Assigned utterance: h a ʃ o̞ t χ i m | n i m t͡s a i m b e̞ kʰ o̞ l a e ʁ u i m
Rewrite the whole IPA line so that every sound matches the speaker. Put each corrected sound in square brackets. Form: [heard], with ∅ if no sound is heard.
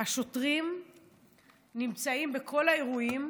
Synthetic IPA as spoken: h a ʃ o̞ t [ʁ] i m | n i m t͡s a i m b e̞ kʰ o̞ l a e ʁ u i m